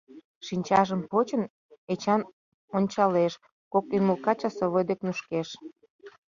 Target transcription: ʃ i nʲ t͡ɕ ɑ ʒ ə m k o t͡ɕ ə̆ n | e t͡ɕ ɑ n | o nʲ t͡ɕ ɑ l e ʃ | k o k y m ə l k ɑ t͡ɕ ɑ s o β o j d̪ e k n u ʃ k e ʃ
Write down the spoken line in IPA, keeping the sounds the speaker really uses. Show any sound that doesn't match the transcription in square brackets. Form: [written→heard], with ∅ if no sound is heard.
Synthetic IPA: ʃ i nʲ t͡ɕ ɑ ʒ ə m [k→p] o t͡ɕ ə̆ n | e t͡ɕ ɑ n | o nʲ t͡ɕ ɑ l e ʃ | k o k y m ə l k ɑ t͡ɕ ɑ s o β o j d̪ e k n u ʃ k e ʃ